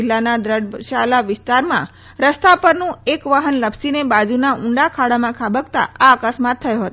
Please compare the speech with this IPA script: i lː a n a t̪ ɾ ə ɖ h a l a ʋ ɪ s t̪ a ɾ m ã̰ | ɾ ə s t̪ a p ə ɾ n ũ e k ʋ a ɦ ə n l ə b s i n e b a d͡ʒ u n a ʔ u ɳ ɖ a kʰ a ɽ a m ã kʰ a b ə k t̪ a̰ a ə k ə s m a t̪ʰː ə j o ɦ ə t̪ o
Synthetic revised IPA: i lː a n a d̪ ɾ ə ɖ ʃ a l a ʋ ɪ s t̪ a ɾ m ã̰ | ɾ ə s t̪ a p ə ɾ n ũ e k ʋ a ɦ ə n l ə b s i n e b a d͡ʒ u n a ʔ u ɳ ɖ a kʰ a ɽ a m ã kʰ a b ə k t̪ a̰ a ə k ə s m a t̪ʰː ə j o ɦ ə t̪ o